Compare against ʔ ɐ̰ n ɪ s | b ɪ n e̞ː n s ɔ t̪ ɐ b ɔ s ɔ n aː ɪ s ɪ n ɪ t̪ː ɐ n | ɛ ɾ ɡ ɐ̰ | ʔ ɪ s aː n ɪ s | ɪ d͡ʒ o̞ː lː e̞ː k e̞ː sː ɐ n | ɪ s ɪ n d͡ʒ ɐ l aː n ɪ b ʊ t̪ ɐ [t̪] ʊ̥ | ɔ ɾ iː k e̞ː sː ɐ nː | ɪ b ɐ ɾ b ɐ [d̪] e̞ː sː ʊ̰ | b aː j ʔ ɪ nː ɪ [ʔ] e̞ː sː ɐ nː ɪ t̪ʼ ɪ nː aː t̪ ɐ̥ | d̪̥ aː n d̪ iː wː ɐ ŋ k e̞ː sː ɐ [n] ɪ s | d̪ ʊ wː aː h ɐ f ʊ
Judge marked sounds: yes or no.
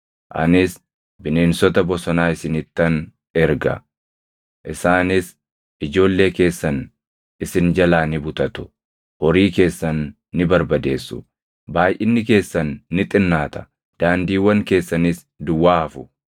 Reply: yes, yes, no, yes

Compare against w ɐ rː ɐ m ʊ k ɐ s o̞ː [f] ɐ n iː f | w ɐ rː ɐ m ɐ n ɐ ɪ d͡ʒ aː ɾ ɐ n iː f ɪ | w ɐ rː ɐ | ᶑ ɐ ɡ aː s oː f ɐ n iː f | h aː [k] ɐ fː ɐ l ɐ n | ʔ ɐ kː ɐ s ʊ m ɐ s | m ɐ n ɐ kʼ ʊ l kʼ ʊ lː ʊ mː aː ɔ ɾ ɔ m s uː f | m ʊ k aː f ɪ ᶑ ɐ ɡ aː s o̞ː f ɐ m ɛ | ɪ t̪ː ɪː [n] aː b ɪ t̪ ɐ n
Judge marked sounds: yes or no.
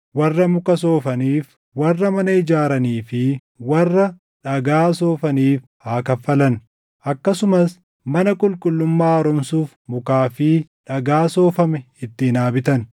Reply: yes, yes, yes

